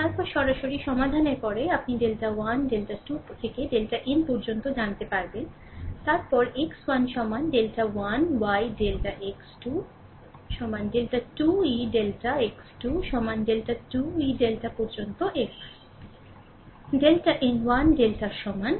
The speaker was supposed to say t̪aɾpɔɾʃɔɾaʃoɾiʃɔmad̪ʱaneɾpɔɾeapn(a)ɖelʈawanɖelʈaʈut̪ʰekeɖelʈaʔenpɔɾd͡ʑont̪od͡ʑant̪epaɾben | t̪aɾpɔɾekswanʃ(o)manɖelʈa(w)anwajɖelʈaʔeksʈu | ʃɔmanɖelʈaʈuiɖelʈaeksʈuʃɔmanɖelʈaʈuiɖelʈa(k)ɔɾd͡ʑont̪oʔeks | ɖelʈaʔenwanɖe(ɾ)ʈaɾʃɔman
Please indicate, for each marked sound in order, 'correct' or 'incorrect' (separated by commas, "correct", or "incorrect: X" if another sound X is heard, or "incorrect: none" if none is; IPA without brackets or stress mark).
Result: incorrect: i, incorrect: ɔ, correct, incorrect: p, incorrect: l